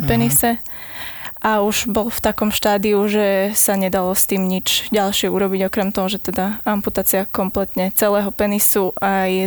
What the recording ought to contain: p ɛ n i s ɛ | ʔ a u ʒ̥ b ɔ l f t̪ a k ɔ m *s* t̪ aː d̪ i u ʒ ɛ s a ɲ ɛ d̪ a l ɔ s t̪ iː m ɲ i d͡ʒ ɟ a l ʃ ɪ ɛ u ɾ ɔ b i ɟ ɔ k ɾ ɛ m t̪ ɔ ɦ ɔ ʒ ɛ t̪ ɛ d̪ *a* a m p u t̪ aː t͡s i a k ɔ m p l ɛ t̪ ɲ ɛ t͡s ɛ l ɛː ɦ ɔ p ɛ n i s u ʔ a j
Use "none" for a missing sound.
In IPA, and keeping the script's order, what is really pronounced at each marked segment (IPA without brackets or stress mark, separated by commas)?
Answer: ʃ, a